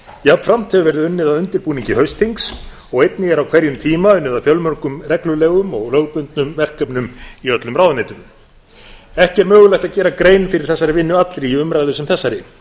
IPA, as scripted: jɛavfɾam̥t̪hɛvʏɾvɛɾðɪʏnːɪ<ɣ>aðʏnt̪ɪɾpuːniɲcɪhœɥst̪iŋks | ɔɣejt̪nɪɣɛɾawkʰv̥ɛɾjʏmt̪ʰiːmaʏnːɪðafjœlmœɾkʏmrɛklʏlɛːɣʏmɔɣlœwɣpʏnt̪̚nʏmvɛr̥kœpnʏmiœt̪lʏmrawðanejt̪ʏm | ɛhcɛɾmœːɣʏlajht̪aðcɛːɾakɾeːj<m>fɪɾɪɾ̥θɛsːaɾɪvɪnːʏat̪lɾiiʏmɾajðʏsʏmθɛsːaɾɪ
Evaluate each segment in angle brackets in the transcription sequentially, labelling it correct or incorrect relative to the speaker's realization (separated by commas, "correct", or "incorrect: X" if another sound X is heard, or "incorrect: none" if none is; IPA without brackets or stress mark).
incorrect: ð, incorrect: n